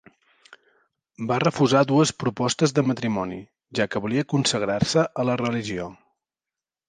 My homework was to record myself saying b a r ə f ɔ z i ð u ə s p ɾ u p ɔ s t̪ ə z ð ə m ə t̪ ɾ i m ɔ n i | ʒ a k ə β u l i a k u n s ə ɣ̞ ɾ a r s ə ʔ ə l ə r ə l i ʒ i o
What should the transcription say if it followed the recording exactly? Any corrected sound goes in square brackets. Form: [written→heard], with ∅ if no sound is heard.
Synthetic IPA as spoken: b a r ə f [ɔ→u] z [i→a] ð u ə s p ɾ u p ɔ s t̪ ə z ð ə m ə t̪ ɾ i m ɔ n i | ʒ a k ə β u l i [a→ə] k u n s ə ɣ̞ ɾ a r s ə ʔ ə l ə r ə l i ʒ i o